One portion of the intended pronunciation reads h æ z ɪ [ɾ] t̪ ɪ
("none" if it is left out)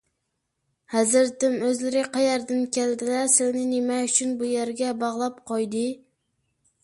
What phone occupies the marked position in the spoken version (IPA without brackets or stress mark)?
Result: ɾ